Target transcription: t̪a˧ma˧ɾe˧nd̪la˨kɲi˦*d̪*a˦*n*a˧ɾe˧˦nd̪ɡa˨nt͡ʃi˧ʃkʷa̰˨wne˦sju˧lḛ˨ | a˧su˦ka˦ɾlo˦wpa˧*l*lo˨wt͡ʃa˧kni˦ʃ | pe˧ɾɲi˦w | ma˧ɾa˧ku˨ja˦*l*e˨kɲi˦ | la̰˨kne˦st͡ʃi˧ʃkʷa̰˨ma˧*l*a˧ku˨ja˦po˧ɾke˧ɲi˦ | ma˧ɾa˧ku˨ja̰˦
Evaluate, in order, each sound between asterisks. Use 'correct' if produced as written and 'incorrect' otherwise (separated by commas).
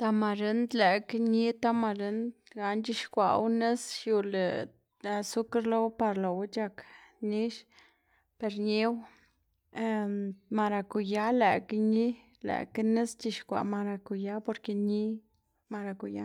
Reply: incorrect, incorrect, incorrect, correct, incorrect